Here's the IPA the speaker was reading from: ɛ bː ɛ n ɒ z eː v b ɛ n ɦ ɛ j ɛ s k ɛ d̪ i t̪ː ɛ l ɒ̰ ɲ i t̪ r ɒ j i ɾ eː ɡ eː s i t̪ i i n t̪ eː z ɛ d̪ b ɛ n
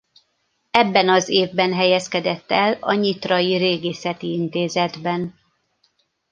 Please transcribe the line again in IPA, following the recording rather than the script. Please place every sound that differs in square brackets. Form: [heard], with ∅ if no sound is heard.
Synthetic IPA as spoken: ɛ bː ɛ n ɒ z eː v b ɛ n ɦ ɛ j ɛ s k ɛ d̪ [ɛ] t̪ː ɛ l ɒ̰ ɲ i t̪ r ɒ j i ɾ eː ɡ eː s [ɛ] t̪ i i n t̪ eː z ɛ d̪ b ɛ n